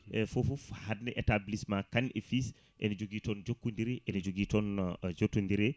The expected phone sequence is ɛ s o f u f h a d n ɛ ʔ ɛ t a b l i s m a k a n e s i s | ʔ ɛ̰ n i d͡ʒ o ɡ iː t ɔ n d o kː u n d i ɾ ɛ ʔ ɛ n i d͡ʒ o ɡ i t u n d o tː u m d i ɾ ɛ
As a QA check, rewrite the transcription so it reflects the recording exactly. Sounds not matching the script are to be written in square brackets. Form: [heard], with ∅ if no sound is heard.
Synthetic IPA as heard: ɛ [f] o f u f h a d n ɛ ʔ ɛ t a b l i s m a k a n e [f] i s | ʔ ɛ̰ n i d͡ʒ o ɡ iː t ɔ n [d͡ʒ] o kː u n d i ɾ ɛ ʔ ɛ n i d͡ʒ o ɡ i t [ɔ] n [d͡ʒ] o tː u [n] d i ɾ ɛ